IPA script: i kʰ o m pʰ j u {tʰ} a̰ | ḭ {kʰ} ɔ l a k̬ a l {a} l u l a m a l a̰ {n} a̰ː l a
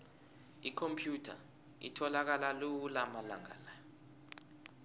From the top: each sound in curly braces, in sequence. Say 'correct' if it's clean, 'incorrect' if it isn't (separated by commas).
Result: correct, incorrect, correct, incorrect